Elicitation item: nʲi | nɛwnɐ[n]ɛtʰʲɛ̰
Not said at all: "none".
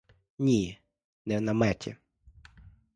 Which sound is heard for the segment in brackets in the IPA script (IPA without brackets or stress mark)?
m